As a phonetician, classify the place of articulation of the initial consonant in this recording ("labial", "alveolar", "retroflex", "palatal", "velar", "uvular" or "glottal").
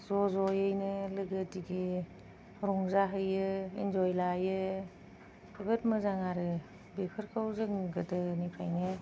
alveolar